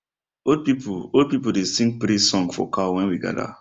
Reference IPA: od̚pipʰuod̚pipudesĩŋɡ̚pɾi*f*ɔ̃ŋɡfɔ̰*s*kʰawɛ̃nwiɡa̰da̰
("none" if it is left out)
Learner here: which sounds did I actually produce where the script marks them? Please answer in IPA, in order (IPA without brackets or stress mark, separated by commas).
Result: s, none